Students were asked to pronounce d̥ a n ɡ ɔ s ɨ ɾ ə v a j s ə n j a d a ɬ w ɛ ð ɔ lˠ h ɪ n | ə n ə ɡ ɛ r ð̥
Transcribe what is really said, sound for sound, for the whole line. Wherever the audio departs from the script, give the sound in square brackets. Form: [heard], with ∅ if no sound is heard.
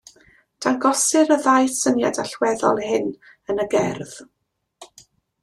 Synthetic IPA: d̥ a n ɡ ɔ s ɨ ɾ ə [ð] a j s ə n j a d a ɬ w ɛ ð ɔ lˠ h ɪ n | ə n ə ɡ ɛ r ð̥